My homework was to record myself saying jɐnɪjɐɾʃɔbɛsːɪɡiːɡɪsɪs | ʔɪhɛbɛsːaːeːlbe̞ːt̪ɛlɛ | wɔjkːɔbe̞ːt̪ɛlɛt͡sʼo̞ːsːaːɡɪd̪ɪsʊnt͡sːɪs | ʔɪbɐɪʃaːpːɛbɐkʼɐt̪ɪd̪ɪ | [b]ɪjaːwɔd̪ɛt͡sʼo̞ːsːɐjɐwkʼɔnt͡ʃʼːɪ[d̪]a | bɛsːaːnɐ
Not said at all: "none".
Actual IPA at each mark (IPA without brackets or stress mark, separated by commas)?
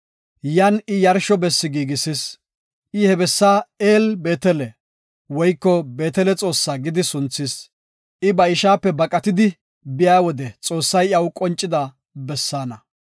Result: b, d̪